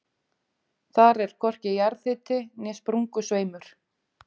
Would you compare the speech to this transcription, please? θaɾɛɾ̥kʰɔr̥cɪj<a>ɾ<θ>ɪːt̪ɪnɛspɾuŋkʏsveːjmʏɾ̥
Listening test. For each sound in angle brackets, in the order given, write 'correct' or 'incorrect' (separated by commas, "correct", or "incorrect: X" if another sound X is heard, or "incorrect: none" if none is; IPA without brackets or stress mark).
correct, correct